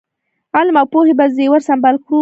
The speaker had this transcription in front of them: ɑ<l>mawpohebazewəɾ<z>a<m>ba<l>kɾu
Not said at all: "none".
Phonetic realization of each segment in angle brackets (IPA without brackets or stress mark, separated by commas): l, s, m, l